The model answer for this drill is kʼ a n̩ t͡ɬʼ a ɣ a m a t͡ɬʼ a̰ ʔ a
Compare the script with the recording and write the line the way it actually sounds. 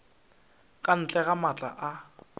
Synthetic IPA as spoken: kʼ a n̩ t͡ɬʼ ɛ ɣ a m a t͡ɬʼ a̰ ʔ a